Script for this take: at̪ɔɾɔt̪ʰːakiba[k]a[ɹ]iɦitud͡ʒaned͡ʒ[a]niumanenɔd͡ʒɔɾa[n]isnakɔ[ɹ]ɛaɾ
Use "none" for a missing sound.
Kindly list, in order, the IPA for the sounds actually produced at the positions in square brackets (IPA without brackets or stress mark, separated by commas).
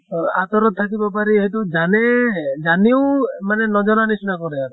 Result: p, ɾ, a, n, ɾ